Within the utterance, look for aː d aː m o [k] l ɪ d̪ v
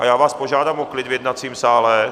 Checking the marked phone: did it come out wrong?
no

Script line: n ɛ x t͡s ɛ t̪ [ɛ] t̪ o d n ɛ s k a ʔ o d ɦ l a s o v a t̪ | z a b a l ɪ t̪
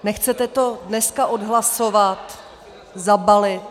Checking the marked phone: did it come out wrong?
no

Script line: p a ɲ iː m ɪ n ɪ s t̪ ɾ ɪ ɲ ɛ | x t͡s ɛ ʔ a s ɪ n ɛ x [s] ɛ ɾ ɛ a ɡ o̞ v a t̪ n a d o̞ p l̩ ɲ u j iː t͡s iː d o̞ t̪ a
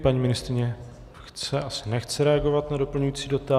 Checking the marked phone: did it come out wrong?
yes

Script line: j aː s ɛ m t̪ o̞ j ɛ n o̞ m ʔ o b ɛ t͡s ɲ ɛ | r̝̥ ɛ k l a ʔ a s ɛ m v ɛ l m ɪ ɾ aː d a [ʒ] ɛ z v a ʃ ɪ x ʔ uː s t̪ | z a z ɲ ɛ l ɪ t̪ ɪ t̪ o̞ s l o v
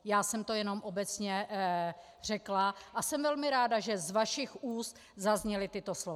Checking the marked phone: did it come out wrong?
no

